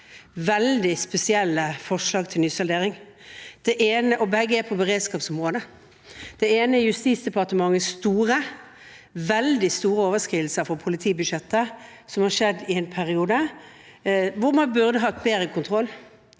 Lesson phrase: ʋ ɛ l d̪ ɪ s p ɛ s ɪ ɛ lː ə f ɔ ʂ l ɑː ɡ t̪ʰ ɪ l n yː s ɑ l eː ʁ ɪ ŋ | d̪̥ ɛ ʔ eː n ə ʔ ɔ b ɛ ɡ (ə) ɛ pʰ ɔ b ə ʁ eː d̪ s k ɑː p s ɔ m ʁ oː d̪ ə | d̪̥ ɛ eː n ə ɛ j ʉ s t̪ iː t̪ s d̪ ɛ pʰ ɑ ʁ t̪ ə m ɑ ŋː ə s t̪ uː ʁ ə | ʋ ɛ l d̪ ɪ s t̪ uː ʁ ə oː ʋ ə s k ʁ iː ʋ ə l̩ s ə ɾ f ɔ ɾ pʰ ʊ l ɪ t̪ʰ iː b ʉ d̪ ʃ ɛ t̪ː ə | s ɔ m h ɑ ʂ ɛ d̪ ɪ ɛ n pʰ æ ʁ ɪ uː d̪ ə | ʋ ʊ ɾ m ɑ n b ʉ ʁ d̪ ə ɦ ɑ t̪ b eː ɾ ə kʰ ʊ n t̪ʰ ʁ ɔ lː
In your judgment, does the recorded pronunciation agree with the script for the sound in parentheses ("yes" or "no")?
yes